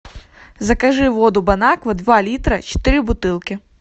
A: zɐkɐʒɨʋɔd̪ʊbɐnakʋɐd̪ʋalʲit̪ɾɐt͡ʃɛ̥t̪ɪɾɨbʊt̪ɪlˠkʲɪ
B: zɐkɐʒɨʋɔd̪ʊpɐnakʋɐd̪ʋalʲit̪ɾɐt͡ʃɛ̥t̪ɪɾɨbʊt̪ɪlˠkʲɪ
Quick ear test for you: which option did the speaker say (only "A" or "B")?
A